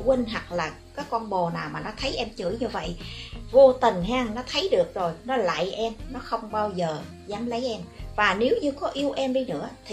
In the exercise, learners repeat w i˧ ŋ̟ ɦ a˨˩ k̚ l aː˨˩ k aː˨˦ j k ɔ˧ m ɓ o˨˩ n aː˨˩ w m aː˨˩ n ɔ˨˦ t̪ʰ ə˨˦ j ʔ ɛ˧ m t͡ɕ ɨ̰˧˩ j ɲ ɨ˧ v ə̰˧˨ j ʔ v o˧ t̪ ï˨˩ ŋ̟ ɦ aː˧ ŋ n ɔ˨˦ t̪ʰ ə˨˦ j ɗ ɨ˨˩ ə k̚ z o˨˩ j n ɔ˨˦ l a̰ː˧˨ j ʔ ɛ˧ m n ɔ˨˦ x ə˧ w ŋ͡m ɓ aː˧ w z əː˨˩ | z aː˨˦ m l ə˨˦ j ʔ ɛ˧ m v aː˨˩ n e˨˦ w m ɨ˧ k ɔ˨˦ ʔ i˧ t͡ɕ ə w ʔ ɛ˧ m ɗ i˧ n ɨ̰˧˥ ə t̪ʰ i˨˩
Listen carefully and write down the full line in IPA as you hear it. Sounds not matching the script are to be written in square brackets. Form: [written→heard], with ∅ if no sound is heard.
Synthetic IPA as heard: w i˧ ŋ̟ ɦ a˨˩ k̚ l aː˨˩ k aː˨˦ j k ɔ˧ [m→n] ɓ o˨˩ n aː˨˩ w m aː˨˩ n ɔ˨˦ t̪ʰ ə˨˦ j ʔ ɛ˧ m t͡ɕ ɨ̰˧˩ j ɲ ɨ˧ v ə̰˧˨ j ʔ v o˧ t̪ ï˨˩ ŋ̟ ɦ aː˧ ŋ n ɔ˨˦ t̪ʰ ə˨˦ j ɗ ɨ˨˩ ə k̚ z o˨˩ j n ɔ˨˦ l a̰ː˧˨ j ʔ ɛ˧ m n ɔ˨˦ x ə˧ w ŋ͡m ɓ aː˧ w z əː˨˩ | z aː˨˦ m l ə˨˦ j ʔ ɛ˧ m v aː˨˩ n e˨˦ w [m→ɲ] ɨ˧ k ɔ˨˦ ʔ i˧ [t͡ɕ→∅] ə w ʔ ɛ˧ m ɗ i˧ n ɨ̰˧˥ ə t̪ʰ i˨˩